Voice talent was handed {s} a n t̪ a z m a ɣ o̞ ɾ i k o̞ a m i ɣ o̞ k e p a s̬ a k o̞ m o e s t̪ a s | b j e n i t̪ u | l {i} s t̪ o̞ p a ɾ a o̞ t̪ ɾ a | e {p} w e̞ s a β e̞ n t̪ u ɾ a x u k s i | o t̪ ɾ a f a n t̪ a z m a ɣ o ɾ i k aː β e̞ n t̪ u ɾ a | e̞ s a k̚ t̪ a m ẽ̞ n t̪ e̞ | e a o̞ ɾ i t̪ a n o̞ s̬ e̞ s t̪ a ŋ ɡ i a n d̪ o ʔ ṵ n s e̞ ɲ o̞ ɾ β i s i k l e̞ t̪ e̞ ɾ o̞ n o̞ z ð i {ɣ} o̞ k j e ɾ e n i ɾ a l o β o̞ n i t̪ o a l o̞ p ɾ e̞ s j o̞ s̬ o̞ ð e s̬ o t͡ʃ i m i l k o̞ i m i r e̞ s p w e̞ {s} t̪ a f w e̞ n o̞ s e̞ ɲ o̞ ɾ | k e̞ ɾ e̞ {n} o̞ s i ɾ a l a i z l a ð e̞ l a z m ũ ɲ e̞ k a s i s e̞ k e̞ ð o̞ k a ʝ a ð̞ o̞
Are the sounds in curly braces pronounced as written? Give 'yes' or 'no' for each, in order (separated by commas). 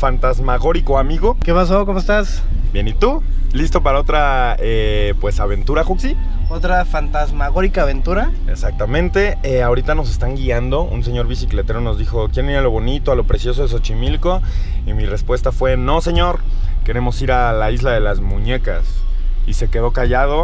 no, yes, yes, no, yes, no